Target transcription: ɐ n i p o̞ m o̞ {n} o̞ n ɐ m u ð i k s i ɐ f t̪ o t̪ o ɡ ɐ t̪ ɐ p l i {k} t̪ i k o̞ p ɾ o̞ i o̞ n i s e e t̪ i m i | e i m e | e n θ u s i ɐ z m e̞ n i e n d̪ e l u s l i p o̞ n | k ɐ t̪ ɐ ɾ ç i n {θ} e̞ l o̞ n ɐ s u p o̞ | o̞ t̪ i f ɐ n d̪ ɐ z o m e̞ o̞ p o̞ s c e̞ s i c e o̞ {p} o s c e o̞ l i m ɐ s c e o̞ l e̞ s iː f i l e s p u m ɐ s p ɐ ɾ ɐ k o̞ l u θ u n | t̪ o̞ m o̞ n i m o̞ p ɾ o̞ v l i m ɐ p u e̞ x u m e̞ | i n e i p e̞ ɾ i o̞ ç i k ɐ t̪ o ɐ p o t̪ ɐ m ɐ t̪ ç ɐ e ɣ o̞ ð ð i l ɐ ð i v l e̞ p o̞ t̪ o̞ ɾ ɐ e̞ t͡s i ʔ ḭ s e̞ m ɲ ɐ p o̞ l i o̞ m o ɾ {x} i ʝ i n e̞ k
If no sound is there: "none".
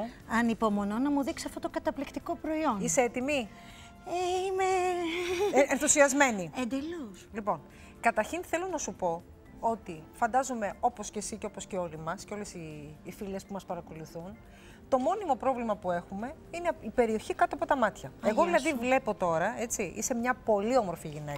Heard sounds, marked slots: n, k, θ, p, f

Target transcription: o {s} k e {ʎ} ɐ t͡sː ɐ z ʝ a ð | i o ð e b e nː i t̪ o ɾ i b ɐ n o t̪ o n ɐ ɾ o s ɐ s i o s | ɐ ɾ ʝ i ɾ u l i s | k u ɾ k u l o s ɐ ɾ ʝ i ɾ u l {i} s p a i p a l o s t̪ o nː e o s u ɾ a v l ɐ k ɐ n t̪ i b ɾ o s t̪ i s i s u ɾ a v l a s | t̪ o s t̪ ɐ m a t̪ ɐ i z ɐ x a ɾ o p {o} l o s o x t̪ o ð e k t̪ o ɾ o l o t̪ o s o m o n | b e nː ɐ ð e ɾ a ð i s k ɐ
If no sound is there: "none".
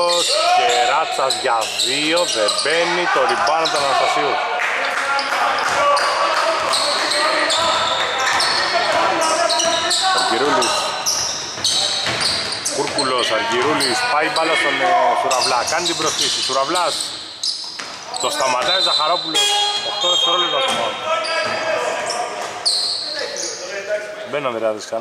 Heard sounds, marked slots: s, ɾ, i, u

